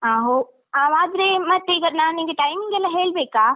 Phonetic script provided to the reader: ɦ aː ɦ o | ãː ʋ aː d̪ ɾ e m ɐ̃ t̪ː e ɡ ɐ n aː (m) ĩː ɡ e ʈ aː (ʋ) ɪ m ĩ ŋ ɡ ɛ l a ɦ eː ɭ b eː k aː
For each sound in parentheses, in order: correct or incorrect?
incorrect: n, incorrect: none

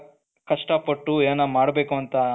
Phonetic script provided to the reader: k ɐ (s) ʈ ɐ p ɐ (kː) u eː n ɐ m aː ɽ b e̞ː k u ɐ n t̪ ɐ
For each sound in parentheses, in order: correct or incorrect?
incorrect: ʂ, incorrect: ʈː

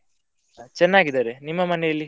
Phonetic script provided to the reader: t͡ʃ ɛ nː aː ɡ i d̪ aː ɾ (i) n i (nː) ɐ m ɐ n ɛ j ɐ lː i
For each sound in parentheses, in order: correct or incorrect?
incorrect: e, incorrect: mː

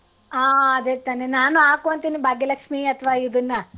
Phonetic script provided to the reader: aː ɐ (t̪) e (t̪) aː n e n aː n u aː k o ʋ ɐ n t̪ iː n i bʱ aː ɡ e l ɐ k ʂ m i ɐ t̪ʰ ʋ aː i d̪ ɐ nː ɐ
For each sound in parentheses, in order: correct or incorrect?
incorrect: d̪, correct

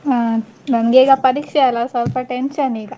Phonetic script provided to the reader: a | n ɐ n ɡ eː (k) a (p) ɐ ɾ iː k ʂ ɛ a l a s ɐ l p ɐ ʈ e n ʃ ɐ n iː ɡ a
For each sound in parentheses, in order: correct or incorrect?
incorrect: ɡ, correct

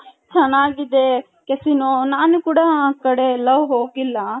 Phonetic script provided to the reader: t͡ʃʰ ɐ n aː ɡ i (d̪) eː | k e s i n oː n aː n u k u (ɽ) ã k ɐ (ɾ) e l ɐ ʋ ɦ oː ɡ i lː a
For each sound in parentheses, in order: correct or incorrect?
correct, correct, incorrect: ɽ

